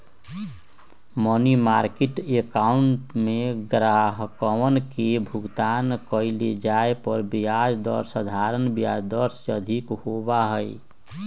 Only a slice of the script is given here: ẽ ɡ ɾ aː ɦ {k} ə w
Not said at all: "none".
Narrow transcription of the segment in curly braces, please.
k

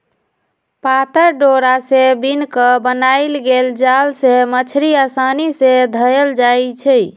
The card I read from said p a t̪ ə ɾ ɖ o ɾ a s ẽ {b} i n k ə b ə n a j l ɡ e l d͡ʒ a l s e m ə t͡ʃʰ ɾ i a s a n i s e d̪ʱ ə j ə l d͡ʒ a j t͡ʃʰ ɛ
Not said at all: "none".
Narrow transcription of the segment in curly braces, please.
b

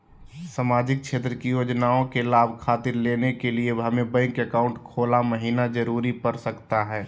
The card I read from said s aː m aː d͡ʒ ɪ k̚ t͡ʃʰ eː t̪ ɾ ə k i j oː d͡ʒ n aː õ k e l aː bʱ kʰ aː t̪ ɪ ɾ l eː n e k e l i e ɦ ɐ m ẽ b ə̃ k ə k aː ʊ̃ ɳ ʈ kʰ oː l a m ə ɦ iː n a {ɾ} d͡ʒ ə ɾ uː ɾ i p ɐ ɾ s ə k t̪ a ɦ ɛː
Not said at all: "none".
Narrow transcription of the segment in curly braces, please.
none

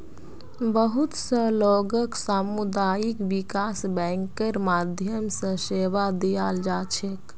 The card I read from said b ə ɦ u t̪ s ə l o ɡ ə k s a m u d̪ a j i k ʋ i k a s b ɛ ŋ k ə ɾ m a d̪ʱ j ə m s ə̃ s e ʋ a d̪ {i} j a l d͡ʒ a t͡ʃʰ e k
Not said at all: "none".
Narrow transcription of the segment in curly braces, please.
i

